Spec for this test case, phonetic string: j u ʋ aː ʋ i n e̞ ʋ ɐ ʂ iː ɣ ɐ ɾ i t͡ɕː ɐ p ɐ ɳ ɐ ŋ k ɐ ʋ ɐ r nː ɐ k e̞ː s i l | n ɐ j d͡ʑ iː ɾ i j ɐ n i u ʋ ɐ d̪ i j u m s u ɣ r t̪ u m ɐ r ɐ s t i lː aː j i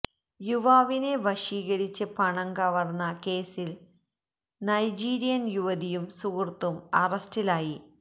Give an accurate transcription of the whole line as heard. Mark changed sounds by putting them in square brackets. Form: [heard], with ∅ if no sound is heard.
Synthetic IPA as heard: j u ʋ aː ʋ i n e̞ ʋ ɐ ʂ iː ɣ ɐ ɾ i t͡ɕː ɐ p ɐ ɳ ɐ ŋ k ɐ ʋ ɐ r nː ɐ k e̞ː s i l | n ɐ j d͡ʑ iː ɾ i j ɐ n [j] u ʋ ɐ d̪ i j u m s u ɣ r t̪ u m ɐ r ɐ s t i [l] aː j i